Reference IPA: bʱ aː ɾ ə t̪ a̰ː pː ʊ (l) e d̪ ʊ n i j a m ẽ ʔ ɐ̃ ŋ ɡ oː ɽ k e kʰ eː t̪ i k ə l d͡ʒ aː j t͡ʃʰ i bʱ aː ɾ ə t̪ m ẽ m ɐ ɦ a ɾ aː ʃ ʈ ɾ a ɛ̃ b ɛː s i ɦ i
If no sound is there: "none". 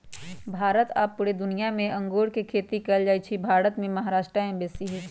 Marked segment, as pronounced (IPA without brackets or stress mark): ɽ